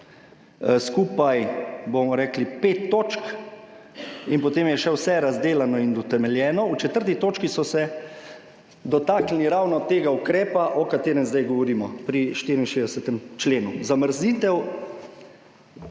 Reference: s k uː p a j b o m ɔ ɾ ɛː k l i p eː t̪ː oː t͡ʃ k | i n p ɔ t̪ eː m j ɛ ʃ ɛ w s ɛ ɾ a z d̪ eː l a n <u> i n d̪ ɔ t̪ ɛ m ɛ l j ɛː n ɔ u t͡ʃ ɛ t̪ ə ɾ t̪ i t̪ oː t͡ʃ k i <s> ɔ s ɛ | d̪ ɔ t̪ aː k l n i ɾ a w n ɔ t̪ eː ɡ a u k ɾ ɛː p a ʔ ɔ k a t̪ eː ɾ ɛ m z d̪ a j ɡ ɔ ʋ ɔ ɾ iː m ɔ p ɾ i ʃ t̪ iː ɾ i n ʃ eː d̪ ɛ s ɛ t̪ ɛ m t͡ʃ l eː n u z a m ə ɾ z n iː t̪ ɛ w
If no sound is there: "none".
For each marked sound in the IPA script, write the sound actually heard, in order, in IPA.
ɔ, s

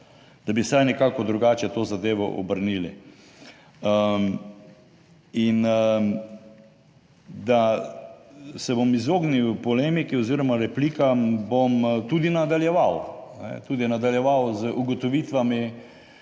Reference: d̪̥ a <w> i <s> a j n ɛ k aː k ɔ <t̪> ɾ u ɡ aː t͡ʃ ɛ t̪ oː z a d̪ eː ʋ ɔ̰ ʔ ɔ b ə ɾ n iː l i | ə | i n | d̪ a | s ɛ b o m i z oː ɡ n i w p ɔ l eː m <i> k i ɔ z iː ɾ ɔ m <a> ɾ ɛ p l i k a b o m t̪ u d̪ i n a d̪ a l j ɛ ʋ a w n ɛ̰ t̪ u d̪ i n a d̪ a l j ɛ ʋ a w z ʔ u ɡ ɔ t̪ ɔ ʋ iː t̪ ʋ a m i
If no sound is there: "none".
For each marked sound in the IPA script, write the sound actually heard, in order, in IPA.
b, s, d̪, i, a

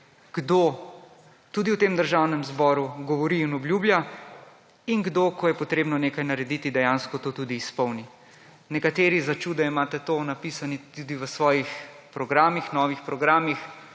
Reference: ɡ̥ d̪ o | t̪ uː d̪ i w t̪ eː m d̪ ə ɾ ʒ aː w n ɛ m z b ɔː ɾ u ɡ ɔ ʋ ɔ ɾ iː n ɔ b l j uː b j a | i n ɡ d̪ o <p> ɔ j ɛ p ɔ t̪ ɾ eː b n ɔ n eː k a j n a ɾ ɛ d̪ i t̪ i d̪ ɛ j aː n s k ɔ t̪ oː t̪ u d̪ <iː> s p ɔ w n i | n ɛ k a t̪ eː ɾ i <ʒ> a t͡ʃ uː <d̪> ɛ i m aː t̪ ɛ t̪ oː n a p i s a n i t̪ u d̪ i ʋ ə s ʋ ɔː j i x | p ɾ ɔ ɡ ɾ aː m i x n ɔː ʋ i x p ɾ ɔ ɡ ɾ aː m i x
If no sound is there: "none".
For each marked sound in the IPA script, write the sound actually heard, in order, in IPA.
k, iː, z, d̪

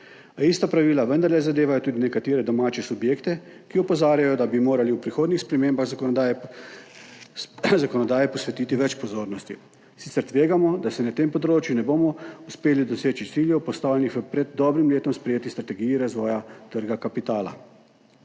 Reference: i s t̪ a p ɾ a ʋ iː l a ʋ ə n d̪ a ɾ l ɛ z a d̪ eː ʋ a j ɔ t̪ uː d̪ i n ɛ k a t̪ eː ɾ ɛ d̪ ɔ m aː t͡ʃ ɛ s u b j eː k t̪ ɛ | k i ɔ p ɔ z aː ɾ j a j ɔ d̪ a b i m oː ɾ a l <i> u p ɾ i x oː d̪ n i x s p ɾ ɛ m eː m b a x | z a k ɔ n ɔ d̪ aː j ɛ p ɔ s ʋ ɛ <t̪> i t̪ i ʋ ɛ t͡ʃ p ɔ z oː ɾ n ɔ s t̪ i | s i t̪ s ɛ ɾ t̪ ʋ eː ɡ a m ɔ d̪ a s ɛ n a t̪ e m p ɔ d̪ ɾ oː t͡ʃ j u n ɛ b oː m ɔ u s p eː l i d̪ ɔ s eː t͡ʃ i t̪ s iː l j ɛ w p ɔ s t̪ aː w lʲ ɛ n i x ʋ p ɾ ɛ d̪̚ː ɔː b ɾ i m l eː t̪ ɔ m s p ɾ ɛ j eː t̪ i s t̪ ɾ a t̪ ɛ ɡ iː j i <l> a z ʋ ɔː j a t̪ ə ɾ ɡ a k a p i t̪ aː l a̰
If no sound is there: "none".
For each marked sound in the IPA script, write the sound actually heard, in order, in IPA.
i, t̪, ɾ

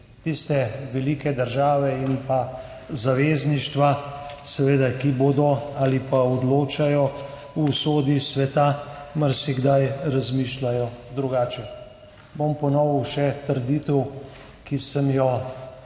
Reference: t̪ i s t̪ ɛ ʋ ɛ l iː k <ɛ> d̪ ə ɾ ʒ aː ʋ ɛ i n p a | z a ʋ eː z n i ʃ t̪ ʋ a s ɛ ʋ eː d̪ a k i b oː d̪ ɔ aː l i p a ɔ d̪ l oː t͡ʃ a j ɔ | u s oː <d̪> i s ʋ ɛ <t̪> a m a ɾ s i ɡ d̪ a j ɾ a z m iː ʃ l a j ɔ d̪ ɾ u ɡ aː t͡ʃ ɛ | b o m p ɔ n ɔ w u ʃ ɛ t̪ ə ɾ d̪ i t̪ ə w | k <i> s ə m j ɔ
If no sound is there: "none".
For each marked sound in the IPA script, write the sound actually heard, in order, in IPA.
ɛ, d̪, t̪, i

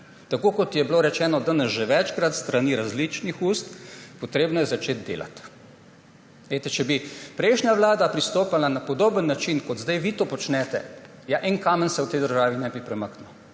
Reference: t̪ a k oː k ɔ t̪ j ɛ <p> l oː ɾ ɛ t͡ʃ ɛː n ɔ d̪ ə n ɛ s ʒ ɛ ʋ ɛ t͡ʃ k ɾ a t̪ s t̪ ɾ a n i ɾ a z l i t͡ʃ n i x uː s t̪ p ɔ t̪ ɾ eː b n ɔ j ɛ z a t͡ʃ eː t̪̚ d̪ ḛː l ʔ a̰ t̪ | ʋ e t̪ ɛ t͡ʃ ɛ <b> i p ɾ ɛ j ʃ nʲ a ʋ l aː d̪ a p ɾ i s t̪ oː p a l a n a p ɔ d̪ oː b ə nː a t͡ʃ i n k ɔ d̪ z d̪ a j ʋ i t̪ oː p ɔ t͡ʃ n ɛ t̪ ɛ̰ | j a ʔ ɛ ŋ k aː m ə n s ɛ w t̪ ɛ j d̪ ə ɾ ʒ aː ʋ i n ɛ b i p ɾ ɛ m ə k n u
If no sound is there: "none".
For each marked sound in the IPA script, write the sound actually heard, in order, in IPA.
b, b

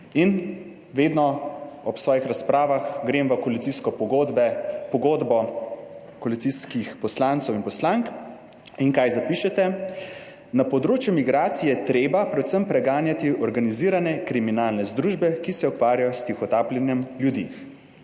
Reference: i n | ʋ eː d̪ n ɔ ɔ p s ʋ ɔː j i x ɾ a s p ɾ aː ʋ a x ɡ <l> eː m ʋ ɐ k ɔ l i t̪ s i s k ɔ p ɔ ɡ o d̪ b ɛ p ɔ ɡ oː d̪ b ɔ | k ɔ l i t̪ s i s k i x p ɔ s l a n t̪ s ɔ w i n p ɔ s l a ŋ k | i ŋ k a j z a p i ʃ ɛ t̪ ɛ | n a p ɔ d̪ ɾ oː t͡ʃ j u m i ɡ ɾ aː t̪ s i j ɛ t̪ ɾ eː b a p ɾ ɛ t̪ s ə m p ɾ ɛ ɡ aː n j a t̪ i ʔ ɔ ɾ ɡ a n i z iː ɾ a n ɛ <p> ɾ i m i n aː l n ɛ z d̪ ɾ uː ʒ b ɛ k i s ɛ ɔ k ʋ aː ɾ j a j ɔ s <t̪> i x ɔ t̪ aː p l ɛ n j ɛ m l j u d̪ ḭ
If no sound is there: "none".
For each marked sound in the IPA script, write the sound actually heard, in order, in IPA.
ɾ, k, t̪

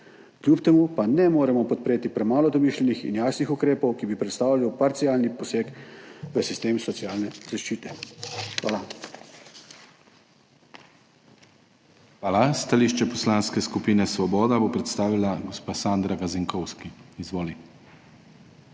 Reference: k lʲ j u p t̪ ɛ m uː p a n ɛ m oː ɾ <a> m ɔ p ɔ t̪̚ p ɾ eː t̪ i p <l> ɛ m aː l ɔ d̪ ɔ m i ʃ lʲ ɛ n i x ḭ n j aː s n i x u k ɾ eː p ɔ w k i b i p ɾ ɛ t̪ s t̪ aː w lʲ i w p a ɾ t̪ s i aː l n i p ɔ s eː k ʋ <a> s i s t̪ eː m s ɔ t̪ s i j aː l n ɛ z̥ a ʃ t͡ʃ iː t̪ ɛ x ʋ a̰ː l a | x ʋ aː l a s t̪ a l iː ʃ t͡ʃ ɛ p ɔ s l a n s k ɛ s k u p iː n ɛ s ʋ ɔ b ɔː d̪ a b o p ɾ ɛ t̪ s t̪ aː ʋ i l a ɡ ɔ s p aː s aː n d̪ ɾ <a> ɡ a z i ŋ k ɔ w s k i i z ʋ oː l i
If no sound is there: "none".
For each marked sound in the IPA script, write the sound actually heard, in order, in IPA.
ɛ, ɾ, ə, a

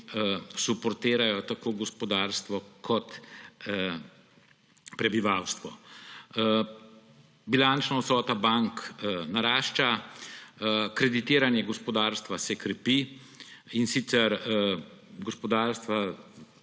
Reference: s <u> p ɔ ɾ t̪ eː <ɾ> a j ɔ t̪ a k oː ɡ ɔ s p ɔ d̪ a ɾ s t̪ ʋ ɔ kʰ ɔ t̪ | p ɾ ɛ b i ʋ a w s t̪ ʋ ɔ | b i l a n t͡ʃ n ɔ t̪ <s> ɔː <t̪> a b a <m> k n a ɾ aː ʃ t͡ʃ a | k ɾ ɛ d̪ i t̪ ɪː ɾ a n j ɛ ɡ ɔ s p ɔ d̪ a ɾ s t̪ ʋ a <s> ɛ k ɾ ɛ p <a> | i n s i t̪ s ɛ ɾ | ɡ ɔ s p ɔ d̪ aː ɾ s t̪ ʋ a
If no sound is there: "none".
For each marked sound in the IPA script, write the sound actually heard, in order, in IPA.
u, ɾ, s, t̪, ŋ, s, i

